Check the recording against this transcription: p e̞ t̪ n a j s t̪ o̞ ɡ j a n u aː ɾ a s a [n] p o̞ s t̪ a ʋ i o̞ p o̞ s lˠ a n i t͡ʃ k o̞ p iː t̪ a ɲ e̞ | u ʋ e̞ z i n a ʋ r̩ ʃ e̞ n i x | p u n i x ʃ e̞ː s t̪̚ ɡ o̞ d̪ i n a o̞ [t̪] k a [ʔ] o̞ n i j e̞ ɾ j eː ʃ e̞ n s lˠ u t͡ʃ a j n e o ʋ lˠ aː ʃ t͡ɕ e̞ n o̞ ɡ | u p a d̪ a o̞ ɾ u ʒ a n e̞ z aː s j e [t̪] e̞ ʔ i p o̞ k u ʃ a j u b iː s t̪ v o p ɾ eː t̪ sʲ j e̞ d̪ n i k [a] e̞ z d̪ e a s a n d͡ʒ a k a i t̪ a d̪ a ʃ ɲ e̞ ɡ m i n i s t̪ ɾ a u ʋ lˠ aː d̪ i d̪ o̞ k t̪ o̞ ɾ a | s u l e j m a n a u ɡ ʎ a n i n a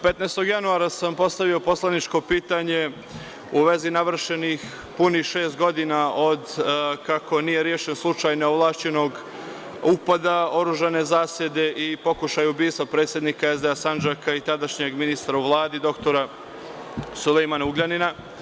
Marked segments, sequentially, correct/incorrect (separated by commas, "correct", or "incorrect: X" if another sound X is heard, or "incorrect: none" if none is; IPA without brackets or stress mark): incorrect: m, incorrect: d̪, incorrect: k, incorrect: d̪, correct